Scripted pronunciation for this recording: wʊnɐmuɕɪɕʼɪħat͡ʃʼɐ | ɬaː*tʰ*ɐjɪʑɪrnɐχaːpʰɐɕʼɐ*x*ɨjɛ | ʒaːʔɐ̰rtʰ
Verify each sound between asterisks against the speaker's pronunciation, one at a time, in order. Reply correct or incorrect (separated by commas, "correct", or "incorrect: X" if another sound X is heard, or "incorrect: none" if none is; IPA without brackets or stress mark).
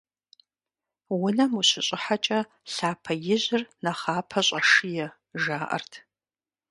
incorrect: pʰ, incorrect: ʂ